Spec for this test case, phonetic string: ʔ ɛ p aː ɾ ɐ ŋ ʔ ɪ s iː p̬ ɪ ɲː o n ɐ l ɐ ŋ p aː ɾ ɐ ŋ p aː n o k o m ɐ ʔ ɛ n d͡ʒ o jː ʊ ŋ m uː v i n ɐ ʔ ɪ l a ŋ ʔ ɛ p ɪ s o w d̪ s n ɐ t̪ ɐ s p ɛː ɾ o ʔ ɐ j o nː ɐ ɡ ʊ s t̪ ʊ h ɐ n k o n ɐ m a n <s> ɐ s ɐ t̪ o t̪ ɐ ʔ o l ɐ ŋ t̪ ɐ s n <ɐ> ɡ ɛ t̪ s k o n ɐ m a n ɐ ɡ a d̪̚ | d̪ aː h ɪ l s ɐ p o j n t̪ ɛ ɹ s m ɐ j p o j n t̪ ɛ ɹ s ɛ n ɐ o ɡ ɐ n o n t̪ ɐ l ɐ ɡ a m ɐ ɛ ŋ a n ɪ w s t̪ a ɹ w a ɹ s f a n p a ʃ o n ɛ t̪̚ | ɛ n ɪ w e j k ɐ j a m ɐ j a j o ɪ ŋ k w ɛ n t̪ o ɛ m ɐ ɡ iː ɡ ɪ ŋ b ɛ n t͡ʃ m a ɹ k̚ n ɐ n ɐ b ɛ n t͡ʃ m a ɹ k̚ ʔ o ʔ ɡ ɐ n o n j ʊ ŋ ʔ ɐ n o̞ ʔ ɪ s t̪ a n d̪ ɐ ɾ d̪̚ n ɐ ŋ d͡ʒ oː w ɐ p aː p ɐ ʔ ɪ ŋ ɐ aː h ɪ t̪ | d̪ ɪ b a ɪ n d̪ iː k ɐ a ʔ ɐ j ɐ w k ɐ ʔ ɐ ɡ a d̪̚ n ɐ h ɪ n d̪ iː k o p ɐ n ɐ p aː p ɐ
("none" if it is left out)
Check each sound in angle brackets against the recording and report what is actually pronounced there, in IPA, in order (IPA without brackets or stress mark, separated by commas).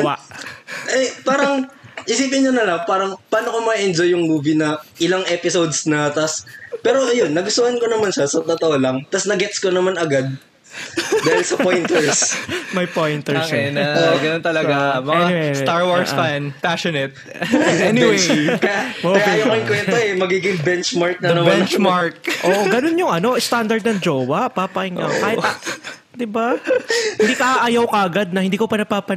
ʃ, ɐ